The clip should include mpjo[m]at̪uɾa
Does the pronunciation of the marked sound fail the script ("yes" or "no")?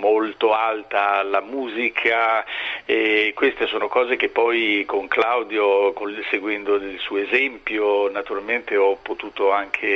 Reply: yes